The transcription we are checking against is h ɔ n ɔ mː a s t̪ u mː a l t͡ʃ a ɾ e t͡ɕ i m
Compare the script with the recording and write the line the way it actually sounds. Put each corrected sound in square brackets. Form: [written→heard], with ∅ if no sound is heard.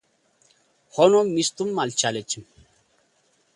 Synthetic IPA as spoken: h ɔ n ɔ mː [a→i] s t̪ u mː a l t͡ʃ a [ɾ→l] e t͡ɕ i m